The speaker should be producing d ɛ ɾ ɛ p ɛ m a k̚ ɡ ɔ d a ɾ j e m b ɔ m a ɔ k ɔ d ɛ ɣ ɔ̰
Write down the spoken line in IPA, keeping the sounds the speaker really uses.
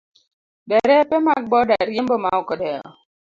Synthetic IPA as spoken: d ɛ ɾ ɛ p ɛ m a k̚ b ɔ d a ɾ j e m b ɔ m a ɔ k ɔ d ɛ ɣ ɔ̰